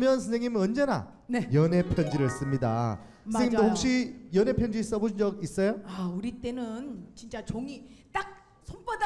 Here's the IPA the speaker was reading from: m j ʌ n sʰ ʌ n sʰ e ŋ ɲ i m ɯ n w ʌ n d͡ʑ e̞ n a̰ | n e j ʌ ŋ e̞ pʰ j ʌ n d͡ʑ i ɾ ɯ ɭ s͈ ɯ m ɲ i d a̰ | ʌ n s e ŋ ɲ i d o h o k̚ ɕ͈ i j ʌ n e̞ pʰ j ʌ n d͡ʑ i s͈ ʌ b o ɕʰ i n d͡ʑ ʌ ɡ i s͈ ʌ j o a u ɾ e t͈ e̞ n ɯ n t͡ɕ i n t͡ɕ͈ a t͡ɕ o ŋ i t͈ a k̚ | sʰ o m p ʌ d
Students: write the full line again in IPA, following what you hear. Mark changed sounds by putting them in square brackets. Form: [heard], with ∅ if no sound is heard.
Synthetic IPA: m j ʌ n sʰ ʌ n sʰ e ŋ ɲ i m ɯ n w ʌ n d͡ʑ e̞ n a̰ | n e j ʌ [n] e̞ pʰ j ʌ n d͡ʑ i ɾ ɯ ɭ s͈ ɯ m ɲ i d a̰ | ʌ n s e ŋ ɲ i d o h o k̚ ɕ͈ i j ʌ n e̞ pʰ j ʌ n d͡ʑ i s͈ ʌ b o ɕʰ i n d͡ʑ ʌ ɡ i s͈ ʌ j o a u ɾ [i] t͈ e̞ n ɯ n t͡ɕ i n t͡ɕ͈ a t͡ɕ o ŋ i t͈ a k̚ | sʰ o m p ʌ d